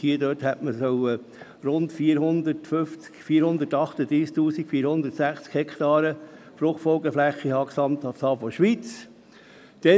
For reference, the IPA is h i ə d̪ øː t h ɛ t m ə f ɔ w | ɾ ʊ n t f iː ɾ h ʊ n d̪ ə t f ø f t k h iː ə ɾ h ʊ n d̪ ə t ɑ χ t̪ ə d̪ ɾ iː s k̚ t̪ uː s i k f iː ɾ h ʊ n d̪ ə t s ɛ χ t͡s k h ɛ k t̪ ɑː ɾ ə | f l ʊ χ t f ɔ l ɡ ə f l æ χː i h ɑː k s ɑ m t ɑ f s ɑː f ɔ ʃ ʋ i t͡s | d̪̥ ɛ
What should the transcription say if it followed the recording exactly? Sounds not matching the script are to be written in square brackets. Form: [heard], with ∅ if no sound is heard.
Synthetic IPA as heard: h i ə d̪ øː t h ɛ t m ə [s] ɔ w | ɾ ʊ n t f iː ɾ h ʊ n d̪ ə t f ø f [t͡s] k [f] iː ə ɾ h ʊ n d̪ ə t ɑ χ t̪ ə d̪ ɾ iː s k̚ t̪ uː s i k f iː ɾ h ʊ n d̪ ə t s [æ] χ t͡s k h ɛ k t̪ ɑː ɾ ə | f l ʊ χ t f ɔ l ɡ ə f l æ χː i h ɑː k s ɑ m t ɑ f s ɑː f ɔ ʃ ʋ i t͡s | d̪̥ ɛ